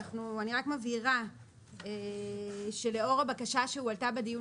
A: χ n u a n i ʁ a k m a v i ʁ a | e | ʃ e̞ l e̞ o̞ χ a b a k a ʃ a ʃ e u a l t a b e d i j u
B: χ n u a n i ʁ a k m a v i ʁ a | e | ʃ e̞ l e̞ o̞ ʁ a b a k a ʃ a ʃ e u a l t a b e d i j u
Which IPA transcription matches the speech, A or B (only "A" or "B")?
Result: B